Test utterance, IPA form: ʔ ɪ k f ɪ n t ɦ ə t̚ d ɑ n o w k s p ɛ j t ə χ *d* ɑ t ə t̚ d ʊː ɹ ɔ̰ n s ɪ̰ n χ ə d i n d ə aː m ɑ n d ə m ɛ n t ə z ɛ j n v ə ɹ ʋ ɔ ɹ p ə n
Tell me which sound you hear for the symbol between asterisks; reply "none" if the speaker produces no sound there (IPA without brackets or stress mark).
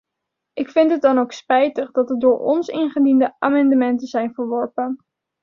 d